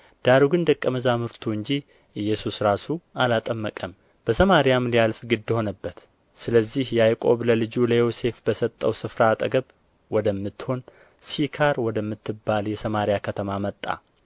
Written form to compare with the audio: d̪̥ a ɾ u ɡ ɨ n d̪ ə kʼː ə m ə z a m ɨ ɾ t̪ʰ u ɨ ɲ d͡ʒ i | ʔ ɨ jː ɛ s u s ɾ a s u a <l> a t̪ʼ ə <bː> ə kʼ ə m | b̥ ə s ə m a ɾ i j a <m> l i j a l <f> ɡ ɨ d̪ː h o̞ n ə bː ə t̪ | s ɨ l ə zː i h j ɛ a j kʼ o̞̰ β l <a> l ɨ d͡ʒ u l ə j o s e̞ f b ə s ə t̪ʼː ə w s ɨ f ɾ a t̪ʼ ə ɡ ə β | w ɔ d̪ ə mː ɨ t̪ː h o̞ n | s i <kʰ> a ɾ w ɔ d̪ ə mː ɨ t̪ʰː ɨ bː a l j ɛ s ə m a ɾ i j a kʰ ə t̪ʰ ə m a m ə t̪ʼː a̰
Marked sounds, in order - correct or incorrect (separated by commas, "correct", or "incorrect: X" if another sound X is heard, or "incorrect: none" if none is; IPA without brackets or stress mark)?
correct, incorrect: mː, correct, correct, incorrect: ə, correct